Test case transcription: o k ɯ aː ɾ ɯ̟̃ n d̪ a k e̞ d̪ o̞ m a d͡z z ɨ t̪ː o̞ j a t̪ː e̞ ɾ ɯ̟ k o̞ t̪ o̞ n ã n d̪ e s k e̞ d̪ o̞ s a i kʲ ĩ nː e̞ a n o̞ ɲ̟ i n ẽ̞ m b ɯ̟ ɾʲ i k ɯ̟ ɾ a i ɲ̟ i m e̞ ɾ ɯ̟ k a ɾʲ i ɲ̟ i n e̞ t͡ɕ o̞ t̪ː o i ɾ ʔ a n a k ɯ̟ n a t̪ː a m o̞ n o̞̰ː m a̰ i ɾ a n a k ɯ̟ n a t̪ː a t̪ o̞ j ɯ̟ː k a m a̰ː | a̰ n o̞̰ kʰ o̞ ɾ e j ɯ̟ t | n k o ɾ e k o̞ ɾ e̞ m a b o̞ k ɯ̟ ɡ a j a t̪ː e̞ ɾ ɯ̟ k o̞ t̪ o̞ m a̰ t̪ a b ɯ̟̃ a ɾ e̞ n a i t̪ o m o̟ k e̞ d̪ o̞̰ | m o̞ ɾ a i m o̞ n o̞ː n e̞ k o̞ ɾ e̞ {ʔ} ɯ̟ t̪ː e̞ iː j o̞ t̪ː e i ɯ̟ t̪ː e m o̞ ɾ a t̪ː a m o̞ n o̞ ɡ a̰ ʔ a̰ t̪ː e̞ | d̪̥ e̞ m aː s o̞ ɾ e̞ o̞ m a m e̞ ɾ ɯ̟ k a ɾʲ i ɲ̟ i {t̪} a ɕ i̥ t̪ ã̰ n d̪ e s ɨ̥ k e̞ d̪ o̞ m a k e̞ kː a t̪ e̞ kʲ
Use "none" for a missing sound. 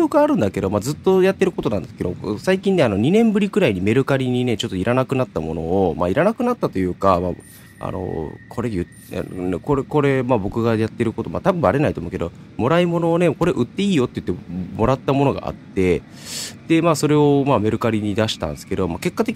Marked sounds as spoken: ʔ, d̪

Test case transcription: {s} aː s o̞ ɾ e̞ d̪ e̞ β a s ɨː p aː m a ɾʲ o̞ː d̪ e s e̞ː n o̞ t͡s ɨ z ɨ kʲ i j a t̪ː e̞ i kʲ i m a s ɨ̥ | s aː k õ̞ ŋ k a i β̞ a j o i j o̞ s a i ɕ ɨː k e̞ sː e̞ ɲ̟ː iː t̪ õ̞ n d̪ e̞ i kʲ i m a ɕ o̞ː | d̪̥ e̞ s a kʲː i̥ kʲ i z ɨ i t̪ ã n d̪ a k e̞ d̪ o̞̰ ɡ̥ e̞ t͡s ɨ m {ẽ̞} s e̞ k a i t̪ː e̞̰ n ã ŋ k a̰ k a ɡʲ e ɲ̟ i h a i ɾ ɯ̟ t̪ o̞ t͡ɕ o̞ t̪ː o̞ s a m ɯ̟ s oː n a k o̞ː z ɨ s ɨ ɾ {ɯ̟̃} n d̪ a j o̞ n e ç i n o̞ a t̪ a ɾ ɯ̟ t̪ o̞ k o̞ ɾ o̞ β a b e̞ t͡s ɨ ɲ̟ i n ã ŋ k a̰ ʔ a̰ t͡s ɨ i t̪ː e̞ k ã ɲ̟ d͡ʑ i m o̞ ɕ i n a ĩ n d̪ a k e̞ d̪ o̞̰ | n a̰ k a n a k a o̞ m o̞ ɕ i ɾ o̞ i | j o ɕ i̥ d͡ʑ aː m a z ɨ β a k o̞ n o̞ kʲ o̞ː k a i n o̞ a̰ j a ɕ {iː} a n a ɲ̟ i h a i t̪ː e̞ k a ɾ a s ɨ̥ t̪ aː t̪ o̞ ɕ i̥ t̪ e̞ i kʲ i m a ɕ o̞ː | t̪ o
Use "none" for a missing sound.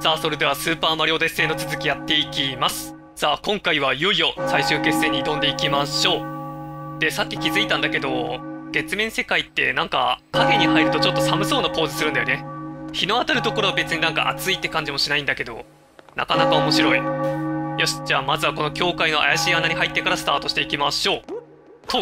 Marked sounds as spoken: s, ẽ̞, ɯ̟, iː

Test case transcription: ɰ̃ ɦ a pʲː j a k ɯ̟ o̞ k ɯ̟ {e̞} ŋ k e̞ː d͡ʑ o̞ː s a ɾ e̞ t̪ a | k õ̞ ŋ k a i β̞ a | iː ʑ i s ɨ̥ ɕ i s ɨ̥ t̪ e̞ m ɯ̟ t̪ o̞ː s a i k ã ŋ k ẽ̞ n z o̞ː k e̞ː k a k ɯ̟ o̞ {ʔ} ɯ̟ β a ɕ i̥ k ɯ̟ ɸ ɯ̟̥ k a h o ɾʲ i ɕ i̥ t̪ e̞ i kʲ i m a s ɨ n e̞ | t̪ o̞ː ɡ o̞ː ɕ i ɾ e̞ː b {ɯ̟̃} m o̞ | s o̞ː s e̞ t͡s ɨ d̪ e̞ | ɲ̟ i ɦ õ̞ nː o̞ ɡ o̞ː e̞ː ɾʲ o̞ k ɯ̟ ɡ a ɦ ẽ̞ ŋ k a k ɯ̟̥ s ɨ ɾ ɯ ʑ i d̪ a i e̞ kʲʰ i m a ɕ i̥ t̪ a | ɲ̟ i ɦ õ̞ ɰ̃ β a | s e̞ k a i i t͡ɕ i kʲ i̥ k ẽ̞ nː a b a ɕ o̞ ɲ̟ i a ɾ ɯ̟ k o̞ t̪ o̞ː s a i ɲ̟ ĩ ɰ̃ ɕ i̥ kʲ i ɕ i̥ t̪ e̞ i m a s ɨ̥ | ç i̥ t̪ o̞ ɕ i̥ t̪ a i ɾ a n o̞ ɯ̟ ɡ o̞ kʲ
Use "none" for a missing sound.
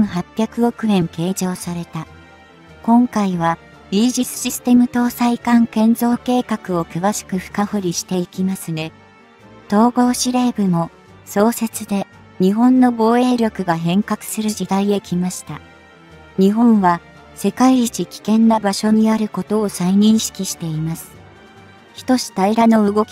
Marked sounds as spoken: ẽ̞, k, ɯ̟

